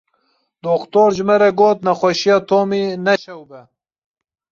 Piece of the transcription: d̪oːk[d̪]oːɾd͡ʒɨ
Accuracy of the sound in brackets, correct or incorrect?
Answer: incorrect